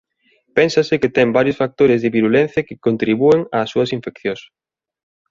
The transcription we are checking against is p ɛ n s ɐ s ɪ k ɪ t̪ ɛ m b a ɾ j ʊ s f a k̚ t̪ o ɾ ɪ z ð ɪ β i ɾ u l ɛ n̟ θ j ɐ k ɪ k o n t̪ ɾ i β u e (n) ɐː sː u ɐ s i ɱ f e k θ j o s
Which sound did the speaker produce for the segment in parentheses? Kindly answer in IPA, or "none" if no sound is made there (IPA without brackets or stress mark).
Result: ŋ